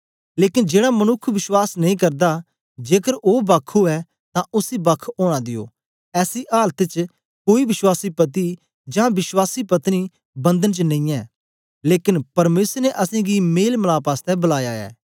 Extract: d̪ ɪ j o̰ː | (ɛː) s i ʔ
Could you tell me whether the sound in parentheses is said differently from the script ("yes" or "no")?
no